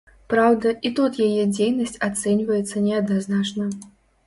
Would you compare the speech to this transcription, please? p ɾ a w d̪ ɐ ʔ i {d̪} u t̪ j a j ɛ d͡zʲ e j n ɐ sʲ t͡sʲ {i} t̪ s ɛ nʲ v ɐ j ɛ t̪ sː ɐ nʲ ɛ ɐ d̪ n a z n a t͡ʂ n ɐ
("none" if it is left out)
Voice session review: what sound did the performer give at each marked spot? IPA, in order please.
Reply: t̪, a

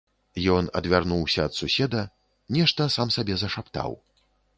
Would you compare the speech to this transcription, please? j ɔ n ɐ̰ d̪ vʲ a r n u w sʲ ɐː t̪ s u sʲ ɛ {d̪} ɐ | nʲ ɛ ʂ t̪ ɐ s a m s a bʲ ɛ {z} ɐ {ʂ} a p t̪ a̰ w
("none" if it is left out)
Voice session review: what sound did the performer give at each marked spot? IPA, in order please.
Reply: d̪, z, ʂ

